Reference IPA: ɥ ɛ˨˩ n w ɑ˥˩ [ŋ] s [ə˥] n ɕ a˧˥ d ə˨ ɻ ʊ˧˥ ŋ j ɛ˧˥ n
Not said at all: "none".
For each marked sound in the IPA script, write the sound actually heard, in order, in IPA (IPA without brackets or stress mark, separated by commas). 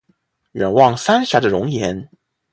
ŋ, a˥